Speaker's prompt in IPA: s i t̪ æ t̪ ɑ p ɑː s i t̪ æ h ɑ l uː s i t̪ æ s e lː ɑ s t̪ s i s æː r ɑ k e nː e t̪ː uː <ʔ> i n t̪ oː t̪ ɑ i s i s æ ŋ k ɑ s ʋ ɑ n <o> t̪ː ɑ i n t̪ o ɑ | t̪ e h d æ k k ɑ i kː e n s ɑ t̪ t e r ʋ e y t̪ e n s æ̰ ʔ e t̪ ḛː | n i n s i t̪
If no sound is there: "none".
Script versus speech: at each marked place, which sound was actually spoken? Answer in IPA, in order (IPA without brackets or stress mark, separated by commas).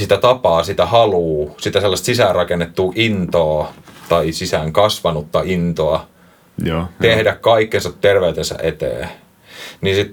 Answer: ʔ, u